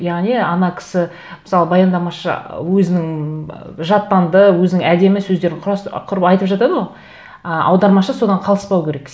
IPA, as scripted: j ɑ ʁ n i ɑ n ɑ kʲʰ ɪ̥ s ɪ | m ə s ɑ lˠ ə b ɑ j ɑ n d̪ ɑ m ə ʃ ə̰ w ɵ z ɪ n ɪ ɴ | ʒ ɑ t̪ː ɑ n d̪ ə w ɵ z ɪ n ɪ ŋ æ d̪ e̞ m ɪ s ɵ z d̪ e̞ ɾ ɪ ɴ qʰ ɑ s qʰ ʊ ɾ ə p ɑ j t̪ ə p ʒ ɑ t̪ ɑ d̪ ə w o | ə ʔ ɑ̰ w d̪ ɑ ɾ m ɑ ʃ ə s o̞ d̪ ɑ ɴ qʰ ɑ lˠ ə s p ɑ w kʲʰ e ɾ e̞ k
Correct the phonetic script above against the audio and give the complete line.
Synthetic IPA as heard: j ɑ ʁ n i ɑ n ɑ kʲʰ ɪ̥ s ɪ | m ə s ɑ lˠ ə b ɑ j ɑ n d̪ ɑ m ɑ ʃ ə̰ w ɵ z ɪ n ɪ ŋ | ʒ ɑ t̪ː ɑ n d̪ ə w ɵ z ɪ n ɪ ŋ æ d̪ e̞ m ɪ s ɵ z d̪ e̞ ɾ ɪ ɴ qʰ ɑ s qʰ ʊ ɾ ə p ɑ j t̪ ə p ʒ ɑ t̪ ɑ d̪ ə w o | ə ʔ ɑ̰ w d̪ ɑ ɾ m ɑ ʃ ə s o̞ d̪ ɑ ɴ qʰ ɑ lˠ ə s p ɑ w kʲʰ e ɾ e̞ k